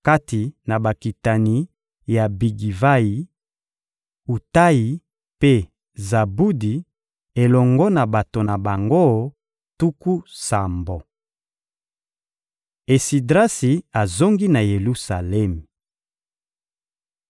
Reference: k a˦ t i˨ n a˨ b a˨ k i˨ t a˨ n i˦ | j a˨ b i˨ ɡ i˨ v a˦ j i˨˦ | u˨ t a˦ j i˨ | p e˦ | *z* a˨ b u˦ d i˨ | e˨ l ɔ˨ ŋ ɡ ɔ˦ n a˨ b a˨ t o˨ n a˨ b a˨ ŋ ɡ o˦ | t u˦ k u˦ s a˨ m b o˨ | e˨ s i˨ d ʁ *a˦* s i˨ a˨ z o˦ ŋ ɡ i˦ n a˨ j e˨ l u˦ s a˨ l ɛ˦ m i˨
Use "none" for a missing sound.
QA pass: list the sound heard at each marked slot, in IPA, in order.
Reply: z, a˦

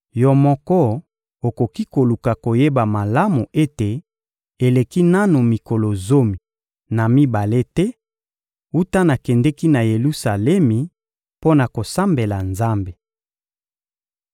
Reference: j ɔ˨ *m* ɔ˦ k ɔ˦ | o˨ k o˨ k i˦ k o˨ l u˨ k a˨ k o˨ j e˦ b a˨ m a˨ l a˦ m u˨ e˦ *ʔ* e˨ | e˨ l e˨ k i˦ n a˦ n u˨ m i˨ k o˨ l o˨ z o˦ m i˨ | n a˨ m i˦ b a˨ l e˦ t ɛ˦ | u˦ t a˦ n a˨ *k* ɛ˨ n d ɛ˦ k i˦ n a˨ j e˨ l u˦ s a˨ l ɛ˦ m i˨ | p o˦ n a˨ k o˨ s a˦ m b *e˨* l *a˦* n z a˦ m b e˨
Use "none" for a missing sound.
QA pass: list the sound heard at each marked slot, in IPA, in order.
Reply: m, t, k, e˨, a˨

